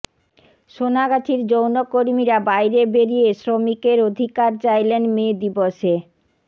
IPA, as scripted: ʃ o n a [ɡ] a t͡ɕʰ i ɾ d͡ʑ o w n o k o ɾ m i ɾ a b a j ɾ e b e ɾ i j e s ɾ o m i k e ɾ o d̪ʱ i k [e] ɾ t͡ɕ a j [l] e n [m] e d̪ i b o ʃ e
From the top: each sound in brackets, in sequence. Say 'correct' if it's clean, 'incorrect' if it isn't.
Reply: correct, incorrect, correct, correct

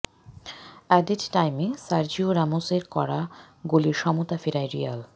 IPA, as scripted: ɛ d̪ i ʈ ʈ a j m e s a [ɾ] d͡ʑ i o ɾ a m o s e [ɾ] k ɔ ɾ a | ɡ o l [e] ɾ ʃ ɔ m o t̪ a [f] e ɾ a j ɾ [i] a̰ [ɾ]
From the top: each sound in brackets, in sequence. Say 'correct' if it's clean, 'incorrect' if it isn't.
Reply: correct, correct, incorrect, correct, correct, incorrect

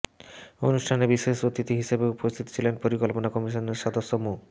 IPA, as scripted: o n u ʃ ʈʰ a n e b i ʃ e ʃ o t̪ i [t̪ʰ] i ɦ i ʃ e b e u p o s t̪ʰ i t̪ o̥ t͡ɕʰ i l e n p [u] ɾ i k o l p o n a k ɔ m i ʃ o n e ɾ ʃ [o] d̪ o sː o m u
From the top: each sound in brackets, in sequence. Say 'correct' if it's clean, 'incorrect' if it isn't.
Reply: incorrect, incorrect, incorrect

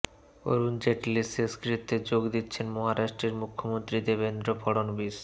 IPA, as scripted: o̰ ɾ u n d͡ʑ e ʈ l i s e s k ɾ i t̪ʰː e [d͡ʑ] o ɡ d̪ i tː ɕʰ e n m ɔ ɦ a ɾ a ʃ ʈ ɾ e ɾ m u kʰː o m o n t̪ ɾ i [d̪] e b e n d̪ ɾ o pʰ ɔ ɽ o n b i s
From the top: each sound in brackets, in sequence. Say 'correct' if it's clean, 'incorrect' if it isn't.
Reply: correct, correct

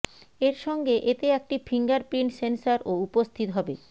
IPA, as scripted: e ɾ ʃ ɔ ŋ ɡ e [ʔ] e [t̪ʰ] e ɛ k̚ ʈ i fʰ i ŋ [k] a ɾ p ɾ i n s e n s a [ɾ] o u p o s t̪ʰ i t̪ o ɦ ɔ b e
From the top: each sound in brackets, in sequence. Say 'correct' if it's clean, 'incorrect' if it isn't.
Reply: correct, incorrect, incorrect, correct

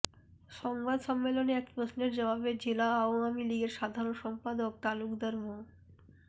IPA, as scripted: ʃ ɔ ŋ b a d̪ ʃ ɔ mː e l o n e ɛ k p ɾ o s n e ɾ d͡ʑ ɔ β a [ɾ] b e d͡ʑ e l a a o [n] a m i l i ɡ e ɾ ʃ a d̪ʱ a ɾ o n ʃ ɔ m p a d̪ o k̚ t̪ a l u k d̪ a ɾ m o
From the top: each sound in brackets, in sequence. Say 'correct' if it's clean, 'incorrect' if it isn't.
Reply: incorrect, incorrect

